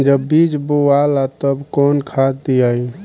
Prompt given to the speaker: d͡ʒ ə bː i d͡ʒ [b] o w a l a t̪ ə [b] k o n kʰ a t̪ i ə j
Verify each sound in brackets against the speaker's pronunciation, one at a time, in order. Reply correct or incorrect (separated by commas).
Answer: correct, correct